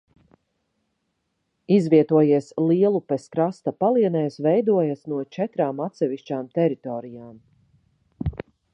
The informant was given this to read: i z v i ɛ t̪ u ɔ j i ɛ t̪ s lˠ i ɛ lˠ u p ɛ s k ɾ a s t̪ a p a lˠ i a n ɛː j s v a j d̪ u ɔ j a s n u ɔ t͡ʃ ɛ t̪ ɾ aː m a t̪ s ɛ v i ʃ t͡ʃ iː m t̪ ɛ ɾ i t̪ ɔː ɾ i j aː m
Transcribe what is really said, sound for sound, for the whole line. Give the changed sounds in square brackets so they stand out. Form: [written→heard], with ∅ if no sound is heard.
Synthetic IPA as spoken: i z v i ɛ t̪ u ɔ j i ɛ [t̪→∅] s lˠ i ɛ lˠ u p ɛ s k ɾ a s t̪ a p a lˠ i [a→ɛ] n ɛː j s v [a→ɛ] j d̪ u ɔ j a s n u ɔ t͡ʃ ɛ t̪ ɾ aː m a t̪ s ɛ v i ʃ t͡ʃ [iː→aː] m t̪ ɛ ɾ i t̪ ɔː ɾ i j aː m